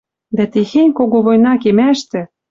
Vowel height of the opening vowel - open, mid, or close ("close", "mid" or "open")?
open